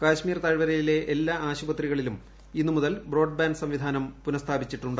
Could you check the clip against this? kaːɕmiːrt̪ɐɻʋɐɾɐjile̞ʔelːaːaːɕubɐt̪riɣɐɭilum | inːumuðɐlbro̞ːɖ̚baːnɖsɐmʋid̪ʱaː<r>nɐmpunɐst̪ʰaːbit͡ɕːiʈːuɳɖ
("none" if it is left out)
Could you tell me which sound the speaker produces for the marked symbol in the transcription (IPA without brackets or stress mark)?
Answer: none